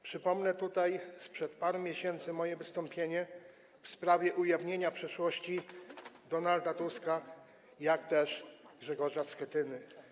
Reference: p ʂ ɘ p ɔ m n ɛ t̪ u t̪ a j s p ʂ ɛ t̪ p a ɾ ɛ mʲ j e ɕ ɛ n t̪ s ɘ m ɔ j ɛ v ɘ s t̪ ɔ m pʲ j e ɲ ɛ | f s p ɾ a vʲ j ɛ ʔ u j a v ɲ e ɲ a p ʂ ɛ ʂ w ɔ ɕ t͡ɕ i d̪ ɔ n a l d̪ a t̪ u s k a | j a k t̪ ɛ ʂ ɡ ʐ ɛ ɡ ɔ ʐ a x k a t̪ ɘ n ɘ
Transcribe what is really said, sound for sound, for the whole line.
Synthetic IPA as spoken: p ʂ ɘ p ɔ m n ɛ t̪ u t̪ a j s p ʂ ɛ t̪ p a ɾ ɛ mʲ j e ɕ ɛ n t̪ s ɘ m ɔ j ɛ v ɘ s t̪ ɔ m pʲ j e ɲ ɛ | f s p ɾ a vʲ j ɛ ʔ u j a v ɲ e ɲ a p ʂ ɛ ʂ w ɔ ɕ t͡ɕ i d̪ ɔ n a l d̪ a t̪ u s k a | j a k t̪ ɛ ʂ ɡ ʐ ɛ ɡ ɔ ʐ a s k ɛ t̪ ɘ n ɘ